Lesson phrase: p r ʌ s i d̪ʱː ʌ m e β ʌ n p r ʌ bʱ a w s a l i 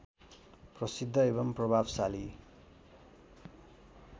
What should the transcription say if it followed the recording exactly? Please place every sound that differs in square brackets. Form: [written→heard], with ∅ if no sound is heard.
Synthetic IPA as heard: p r ʌ s i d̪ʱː ʌ [m→∅] e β ʌ [n→m] p r ʌ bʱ a [w→b] s a l i